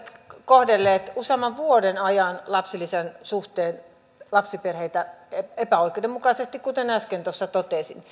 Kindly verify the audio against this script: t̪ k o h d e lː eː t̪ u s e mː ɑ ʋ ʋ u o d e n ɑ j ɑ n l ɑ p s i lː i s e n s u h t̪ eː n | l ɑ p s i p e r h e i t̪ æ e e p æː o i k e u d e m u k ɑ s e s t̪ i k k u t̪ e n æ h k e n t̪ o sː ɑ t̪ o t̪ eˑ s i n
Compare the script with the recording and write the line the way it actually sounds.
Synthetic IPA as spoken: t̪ k o h d e lː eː t̪ u s e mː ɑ ʋ ʋ u o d e n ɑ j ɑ n l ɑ p s i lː i s e n s u h t̪ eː n | l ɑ p s i p e r h e i t̪ æ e e p æ o i k e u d e m u k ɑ s e s t̪ i k k u t̪ e n æ s k e n t̪ o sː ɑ t̪ o t̪ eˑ s i n